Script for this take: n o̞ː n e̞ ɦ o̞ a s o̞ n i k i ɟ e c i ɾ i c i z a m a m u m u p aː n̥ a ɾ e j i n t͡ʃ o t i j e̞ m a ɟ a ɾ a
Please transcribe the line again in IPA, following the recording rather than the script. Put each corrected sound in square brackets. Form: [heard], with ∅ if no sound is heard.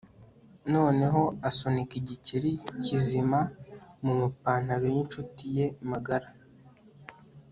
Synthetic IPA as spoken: n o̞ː n e̞ ɦ o̞ a s o̞ n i k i ɟ [i] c i ɾ i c i z [i] m a m u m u p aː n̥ a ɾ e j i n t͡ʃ [u] t i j e̞ m a [ɡ] a ɾ a